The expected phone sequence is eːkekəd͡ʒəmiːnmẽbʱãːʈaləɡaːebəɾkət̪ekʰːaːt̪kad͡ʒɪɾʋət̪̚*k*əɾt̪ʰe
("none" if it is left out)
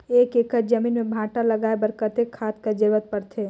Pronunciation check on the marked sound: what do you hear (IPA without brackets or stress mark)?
p